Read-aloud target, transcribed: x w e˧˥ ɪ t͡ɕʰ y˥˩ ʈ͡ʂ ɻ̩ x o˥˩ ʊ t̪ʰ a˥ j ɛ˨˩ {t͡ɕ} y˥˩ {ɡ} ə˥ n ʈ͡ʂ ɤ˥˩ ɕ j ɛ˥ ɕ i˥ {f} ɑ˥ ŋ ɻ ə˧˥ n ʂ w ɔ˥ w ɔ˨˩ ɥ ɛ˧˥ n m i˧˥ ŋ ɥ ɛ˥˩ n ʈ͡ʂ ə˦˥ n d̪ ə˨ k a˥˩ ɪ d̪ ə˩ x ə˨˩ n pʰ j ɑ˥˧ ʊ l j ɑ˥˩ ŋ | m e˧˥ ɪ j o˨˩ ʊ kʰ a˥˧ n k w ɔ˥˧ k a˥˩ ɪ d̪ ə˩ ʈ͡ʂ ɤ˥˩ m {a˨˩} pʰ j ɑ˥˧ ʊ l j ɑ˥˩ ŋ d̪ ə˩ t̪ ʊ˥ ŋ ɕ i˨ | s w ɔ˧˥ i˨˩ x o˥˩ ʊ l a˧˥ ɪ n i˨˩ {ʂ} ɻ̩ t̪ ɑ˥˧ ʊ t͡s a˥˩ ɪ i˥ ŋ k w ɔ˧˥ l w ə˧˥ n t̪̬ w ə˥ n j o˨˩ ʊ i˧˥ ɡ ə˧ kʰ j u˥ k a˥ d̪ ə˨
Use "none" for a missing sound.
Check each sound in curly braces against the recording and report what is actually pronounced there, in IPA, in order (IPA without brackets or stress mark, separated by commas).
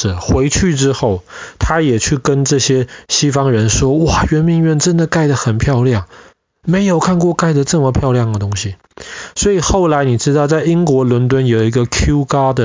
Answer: t͡ɕʰ, k, f, ə˨˩, ʈ͡ʂ